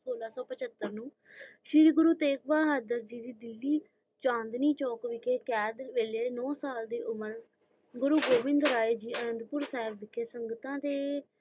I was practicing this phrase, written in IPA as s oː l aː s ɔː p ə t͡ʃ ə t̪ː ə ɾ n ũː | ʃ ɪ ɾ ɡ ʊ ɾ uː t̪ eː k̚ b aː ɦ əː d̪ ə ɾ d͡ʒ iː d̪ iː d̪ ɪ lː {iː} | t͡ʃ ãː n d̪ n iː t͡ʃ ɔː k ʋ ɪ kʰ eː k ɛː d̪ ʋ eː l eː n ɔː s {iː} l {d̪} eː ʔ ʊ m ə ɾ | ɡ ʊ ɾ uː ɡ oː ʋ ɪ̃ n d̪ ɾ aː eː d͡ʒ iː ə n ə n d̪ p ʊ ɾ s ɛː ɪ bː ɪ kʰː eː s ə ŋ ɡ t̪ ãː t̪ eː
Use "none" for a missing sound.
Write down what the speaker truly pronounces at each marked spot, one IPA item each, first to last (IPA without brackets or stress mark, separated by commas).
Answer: iː, aː, d̪